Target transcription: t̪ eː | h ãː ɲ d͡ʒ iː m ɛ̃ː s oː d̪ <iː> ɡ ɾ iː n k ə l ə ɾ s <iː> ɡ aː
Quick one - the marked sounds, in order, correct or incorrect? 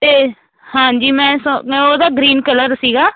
incorrect, correct

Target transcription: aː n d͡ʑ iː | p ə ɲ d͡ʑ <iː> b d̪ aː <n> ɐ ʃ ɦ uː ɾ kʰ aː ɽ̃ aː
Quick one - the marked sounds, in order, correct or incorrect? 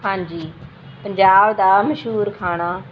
incorrect, incorrect

